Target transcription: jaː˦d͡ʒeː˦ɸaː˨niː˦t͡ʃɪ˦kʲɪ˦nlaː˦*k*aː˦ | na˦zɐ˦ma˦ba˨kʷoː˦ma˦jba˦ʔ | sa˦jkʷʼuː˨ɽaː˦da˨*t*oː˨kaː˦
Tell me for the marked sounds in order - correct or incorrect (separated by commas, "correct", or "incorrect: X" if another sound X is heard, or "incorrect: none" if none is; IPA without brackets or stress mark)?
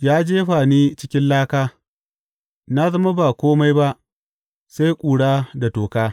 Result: correct, correct